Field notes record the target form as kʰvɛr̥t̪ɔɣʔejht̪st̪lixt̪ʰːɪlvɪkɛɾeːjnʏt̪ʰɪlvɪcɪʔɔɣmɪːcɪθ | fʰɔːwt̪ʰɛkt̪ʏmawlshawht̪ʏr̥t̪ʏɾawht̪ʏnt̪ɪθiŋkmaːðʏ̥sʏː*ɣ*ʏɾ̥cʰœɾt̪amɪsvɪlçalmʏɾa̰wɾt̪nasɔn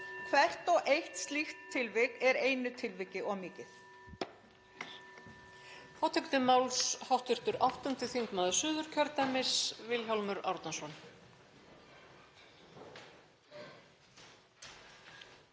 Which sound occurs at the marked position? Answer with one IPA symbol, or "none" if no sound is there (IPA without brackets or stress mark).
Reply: ð